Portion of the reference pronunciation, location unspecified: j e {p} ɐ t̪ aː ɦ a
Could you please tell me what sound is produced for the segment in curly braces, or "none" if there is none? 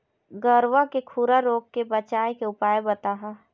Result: b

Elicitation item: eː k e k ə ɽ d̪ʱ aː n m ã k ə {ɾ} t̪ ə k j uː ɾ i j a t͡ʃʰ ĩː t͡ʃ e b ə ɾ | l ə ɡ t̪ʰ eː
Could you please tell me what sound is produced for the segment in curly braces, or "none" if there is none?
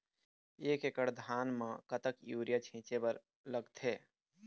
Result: none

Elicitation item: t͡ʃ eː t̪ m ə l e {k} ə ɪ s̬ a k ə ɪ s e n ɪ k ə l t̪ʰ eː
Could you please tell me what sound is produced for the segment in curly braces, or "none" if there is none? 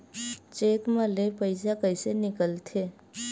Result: p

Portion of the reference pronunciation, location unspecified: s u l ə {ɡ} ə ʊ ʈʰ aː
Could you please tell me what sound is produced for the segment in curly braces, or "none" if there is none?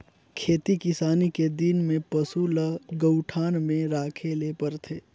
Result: ɡ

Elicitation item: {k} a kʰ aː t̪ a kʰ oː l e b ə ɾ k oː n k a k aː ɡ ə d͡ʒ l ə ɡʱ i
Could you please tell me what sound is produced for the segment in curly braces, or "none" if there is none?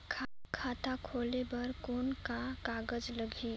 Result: kʰ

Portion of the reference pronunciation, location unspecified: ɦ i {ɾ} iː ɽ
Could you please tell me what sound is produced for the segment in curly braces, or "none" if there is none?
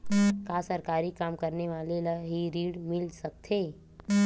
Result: ɾ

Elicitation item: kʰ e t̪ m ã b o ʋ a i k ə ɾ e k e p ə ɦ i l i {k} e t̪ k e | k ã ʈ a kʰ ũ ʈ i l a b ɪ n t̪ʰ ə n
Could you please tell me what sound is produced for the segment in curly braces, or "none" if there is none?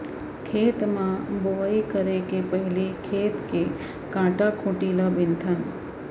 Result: kʰ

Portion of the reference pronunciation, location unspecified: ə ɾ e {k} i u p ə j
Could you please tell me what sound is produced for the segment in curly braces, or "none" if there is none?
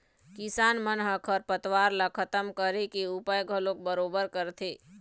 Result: k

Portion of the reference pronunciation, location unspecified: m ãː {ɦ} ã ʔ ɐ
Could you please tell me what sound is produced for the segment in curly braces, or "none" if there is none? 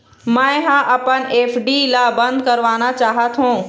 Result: ɦ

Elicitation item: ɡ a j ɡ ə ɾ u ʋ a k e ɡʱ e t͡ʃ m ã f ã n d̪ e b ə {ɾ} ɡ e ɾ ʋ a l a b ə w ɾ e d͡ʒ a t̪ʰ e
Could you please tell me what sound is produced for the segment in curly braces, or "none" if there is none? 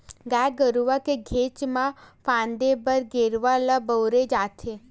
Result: ɾ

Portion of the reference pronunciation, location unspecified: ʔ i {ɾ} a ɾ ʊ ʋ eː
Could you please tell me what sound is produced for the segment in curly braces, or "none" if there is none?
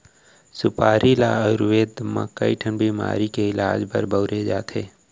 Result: l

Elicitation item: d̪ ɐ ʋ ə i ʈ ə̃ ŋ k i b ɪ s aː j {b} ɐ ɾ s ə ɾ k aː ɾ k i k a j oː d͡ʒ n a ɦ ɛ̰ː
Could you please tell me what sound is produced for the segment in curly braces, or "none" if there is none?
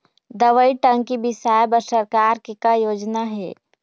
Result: b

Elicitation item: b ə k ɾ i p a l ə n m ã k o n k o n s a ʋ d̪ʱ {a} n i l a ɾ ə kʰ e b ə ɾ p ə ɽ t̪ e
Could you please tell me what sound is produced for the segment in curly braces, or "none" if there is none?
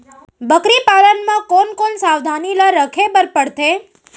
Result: a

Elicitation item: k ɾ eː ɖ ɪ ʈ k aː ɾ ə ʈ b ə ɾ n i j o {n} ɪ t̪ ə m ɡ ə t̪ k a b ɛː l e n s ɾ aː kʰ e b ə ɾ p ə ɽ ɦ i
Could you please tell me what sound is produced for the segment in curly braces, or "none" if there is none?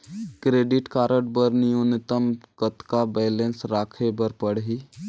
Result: n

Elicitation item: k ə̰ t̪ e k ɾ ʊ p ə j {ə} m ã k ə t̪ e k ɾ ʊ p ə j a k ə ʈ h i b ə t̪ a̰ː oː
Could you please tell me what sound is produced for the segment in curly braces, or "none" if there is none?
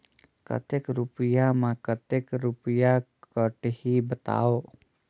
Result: a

